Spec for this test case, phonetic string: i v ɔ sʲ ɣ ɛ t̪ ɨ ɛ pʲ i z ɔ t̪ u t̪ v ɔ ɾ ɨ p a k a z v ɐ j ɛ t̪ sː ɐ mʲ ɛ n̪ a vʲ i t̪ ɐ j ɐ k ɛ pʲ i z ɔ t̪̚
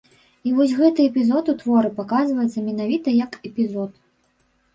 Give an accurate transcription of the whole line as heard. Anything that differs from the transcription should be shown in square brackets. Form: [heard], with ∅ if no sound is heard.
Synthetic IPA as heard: i v ɔ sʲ ɣ ɛ t̪ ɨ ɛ pʲ i z ɔ t̪ u t̪ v ɔ ɾ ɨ p a k a z v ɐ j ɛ t̪ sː ɐ mʲ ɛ n̪ a vʲ i t̪ ɐ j ɐ k ɛ pʲ i z ɔ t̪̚